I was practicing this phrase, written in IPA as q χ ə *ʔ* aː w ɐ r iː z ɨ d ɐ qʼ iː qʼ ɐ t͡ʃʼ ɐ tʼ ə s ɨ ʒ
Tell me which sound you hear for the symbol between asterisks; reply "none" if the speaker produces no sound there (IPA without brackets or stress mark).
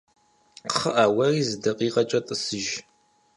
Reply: ʔ